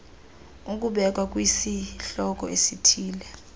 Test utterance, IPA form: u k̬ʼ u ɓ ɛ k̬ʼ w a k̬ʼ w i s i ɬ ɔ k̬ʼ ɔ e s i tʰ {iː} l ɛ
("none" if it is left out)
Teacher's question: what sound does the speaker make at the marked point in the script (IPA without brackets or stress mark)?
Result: iː